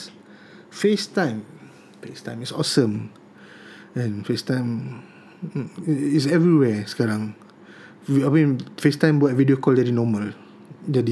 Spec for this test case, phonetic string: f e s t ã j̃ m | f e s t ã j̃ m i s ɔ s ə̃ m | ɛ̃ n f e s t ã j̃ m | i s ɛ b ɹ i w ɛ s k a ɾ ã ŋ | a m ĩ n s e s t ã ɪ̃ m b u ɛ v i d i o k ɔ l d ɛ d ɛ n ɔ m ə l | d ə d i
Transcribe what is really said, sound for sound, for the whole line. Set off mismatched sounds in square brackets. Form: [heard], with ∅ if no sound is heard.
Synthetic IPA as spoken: f e s t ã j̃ m | f e s t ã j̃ m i s ɔ s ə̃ m | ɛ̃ n f e s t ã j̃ m | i s ɛ [v] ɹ i w ɛ s k a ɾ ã ŋ | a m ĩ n [f] e s t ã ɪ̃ m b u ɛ v i d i o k ɔ l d ɛ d [i] n ɔ m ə l | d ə d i